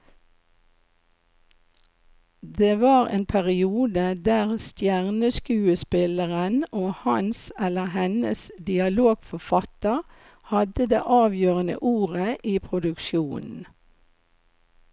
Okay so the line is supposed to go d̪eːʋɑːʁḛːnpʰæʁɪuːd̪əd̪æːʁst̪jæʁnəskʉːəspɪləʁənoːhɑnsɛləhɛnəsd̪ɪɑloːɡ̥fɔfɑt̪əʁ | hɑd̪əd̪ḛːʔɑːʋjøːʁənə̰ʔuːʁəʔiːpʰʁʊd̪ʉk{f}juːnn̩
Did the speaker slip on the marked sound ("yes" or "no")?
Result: yes